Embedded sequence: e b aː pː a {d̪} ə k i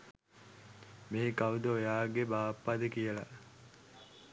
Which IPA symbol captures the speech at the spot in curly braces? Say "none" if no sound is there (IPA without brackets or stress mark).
d̪